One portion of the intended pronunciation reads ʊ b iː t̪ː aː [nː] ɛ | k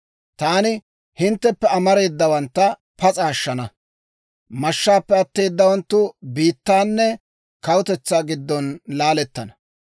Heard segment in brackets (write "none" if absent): nː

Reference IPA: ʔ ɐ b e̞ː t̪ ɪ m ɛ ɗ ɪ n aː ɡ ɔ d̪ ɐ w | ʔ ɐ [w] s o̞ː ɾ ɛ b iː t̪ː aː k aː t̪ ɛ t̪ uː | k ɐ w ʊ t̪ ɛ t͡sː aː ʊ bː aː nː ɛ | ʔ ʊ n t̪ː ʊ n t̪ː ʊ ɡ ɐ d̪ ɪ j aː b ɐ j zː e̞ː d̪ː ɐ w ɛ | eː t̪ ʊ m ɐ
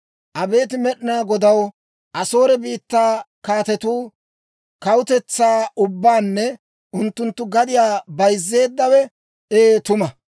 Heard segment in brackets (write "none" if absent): none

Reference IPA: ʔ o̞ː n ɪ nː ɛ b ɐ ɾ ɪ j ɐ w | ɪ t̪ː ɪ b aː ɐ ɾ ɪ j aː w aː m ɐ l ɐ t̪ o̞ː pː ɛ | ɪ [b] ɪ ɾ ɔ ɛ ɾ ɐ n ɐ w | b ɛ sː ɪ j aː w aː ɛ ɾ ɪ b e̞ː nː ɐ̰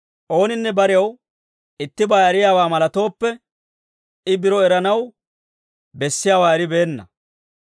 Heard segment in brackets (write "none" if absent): b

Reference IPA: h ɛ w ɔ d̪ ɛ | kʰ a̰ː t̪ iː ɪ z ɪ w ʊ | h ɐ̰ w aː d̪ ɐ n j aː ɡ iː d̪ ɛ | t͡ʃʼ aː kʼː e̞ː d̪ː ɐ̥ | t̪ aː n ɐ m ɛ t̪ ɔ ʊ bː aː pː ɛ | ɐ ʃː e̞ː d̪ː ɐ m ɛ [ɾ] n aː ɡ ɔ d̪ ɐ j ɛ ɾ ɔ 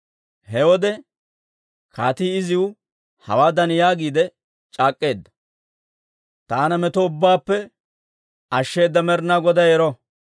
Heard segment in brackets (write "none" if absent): ɾ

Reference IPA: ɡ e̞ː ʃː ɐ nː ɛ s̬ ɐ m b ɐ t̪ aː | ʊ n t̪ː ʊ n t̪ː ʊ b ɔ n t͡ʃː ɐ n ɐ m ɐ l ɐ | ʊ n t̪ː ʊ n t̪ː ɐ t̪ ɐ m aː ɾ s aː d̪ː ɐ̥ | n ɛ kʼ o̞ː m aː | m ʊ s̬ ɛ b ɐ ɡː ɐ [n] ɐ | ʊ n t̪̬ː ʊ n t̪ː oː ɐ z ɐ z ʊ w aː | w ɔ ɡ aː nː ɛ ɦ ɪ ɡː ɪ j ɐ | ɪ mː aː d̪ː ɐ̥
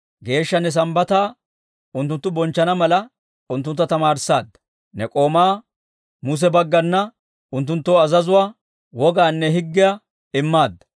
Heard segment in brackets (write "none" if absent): nː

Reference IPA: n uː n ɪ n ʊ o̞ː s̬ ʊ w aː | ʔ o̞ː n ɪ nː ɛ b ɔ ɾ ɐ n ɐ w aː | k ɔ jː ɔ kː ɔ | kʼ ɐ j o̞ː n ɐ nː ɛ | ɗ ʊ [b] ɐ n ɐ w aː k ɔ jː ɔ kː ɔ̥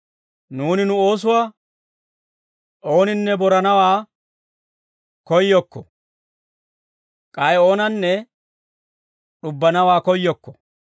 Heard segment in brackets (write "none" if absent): bː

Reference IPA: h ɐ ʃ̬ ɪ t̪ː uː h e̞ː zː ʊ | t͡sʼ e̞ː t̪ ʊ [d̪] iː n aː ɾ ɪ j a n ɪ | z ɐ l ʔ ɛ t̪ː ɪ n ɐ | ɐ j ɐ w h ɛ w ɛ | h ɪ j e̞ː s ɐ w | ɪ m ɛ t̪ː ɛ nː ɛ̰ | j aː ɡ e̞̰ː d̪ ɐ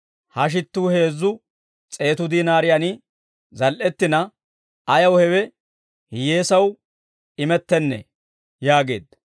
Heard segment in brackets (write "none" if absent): d̪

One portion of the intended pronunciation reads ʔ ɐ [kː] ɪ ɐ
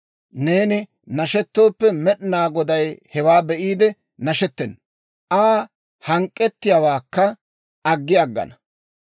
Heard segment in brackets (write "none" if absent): ɡː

